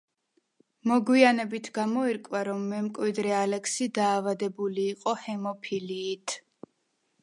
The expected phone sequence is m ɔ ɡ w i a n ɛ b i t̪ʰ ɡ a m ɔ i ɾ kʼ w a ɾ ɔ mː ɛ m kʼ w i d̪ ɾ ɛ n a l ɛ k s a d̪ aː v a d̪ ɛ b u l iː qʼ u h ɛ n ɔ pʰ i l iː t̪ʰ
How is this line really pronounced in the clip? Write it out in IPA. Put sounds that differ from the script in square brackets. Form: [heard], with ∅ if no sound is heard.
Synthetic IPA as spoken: m ɔ ɡ w i a n ɛ b i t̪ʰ ɡ a m ɔ i ɾ kʼ w a ɾ ɔ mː ɛ m kʼ w i d̪ ɾ ɛ [∅] a l ɛ k s [i] d̪ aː v a d̪ ɛ b u l iː qʼ [ɔ] h ɛ [m] ɔ pʰ i l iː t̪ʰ